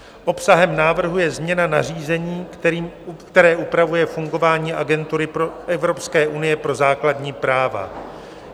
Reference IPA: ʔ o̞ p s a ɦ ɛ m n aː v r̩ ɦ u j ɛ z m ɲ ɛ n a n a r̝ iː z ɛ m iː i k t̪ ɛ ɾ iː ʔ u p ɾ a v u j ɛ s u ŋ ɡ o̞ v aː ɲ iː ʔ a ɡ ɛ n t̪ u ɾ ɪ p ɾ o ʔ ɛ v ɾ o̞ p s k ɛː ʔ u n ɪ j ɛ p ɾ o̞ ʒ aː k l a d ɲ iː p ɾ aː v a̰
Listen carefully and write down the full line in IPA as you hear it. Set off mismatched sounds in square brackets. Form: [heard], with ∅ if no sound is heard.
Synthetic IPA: ʔ o̞ p s a ɦ ɛ m n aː v r̩ ɦ u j ɛ z m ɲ ɛ n a n a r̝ iː z ɛ [ɲ] iː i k t̪ ɛ ɾ [ɛː] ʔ u p ɾ a v u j ɛ [f] u ŋ ɡ o̞ v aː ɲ iː ʔ a ɡ ɛ n t̪ u ɾ ɪ p ɾ o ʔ ɛ v ɾ o̞ p s k ɛː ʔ u n ɪ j ɛ p ɾ o̞ [z] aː k l a d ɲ iː p ɾ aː v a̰